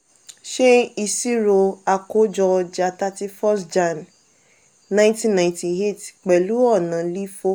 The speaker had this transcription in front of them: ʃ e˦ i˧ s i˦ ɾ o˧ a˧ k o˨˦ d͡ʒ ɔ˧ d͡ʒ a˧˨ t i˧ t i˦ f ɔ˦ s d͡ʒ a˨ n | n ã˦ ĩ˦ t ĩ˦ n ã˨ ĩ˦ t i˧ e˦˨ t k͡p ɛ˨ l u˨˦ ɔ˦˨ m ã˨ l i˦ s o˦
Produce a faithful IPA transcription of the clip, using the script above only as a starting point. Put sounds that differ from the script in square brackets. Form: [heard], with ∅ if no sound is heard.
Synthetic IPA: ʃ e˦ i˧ s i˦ ɾ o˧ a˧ k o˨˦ d͡ʒ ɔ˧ d͡ʒ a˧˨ t [a˧] t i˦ f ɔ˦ s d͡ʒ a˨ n | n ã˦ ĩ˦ t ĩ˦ n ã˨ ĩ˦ t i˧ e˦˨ t k͡p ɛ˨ l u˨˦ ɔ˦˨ [n] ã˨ l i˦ [f] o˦